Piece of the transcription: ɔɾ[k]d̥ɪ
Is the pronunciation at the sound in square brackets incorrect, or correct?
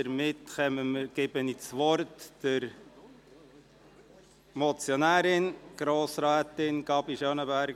incorrect